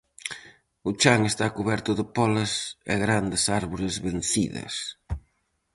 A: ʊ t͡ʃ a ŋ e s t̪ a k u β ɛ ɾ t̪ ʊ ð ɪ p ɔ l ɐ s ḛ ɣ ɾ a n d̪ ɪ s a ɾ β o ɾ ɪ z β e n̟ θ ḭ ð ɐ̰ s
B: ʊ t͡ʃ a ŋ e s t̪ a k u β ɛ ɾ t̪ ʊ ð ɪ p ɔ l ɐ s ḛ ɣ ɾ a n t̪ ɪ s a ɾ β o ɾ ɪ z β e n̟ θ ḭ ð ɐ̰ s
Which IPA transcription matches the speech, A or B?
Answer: A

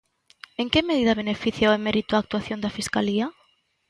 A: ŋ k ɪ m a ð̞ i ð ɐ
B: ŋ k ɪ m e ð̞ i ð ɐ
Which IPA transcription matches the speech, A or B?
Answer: B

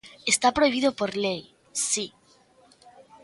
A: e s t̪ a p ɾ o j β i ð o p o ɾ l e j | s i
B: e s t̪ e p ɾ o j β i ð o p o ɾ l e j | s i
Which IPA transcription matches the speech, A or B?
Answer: A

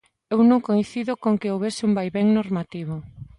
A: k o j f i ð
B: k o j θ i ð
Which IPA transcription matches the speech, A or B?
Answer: B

